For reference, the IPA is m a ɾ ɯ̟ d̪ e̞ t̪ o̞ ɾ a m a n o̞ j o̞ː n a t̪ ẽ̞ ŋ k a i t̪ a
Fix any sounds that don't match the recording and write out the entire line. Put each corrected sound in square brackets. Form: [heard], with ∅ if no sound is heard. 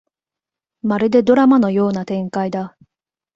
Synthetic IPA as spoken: m a ɾ ɯ̟ d̪ e̞ [d̪] o̞ ɾ a m a n o̞ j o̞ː n a t̪ ẽ̞ ŋ k a i [d̪] a